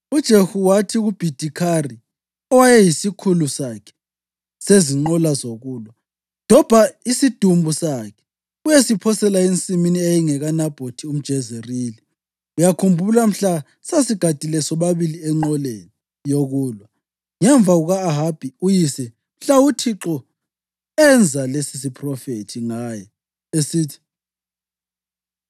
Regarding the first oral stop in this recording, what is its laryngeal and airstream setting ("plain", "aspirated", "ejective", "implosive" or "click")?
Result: plain